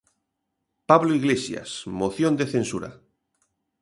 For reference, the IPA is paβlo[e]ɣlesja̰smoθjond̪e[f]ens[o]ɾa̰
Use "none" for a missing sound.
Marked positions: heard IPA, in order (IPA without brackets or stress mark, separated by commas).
i, θ, u